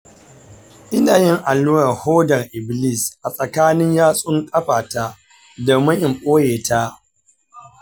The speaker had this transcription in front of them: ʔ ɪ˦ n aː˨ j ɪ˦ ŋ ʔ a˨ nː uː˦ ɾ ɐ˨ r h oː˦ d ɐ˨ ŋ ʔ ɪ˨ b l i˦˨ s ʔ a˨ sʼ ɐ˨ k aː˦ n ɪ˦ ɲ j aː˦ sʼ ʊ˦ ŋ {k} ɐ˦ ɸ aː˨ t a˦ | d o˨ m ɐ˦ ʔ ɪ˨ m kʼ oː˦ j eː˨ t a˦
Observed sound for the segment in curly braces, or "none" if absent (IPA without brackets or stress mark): kʼ